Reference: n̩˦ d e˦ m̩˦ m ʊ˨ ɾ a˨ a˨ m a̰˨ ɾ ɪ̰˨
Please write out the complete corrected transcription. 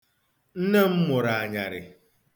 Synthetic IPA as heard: n̩˦ n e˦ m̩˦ m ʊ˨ ɾ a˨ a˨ ɲ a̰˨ ɾ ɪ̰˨